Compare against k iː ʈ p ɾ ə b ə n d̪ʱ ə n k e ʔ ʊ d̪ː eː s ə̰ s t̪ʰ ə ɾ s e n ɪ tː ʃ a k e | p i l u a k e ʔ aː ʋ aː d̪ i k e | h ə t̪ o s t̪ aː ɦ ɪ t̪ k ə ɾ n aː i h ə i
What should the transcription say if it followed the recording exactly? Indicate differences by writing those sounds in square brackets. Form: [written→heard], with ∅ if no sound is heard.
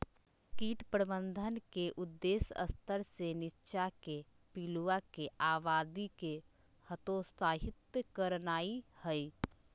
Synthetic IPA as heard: k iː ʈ p ɾ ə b ə n d̪ʱ ə n k e ʔ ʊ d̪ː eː s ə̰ s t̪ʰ ə ɾ s e n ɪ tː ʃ a k e | p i l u a k e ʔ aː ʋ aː d̪ i k e | h ə t̪ o s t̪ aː ɦ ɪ t̪ k ə ɾ n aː i h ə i